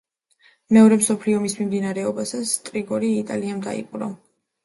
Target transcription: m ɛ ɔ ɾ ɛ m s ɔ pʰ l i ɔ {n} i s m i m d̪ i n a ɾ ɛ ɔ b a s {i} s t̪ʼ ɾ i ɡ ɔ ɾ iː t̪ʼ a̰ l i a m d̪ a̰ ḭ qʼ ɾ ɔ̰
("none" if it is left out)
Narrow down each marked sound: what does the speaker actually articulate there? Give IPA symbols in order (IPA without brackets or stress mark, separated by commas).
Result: m, a